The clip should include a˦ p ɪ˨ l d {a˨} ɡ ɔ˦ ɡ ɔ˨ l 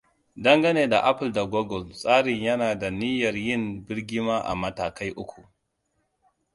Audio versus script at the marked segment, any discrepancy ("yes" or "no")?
no